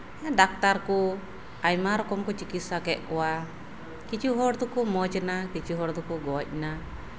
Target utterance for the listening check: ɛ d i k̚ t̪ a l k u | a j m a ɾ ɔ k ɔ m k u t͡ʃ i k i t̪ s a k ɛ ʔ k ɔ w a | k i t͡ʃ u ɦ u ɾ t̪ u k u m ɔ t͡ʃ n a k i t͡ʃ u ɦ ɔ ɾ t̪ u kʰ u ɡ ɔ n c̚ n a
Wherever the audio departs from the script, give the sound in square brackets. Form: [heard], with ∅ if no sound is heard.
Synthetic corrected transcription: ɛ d [a] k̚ t̪ a [ɾ] k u | a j m a ɾ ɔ k ɔ m k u t͡ʃ i k i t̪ s a k ɛ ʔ k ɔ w a | k i t͡ʃ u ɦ [ɔ] ɾ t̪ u k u m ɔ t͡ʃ n a k i t͡ʃ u ɦ ɔ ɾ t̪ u [k] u ɡ ɔ [∅] c̚ n a